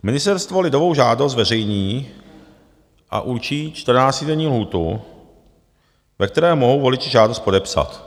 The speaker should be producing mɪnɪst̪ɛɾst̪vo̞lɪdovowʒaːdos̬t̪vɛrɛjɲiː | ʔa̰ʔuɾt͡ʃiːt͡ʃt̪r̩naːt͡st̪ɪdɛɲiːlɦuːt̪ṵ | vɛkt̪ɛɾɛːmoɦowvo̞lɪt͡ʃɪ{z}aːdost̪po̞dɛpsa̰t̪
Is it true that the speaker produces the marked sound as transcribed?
no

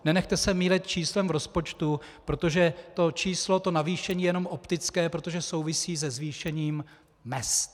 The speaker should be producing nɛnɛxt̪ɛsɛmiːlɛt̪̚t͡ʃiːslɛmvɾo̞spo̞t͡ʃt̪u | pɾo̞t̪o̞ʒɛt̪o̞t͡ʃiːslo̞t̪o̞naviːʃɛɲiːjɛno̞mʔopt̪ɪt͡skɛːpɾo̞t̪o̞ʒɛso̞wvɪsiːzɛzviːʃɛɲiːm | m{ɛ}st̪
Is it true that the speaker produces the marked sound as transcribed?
yes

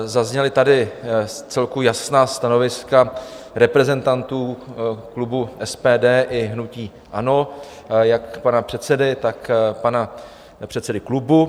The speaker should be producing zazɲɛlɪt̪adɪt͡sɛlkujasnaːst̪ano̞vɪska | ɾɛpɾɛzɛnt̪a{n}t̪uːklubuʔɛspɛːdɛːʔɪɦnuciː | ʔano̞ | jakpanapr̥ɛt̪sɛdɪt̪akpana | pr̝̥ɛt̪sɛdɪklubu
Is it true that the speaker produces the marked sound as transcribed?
yes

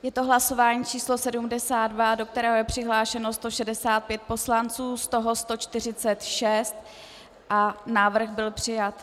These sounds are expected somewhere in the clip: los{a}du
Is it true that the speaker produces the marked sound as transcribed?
no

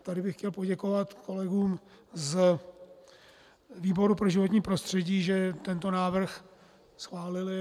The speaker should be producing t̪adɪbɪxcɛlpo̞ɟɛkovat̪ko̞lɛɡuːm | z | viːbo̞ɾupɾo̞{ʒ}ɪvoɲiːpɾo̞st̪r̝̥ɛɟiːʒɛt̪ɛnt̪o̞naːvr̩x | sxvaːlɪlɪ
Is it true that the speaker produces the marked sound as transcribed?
yes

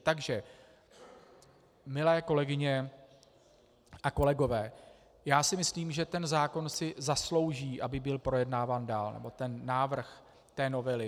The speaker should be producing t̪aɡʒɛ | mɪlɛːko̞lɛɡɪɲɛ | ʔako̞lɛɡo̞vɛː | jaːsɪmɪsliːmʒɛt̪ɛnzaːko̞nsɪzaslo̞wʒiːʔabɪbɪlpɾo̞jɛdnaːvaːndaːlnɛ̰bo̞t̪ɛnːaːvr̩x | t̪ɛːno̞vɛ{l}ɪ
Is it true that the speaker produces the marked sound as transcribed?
yes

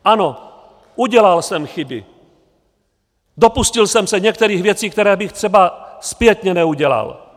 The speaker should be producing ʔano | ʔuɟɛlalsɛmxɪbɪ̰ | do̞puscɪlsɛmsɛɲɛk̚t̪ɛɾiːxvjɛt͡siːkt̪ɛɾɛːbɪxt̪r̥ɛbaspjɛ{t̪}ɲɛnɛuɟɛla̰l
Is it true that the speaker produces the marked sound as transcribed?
yes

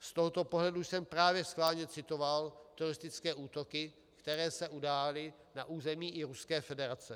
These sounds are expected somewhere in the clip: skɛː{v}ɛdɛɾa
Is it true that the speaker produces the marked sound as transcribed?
no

